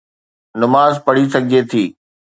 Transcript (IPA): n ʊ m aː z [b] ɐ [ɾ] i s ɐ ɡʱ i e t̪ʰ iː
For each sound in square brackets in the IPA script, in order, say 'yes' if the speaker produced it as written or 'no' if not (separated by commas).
no, no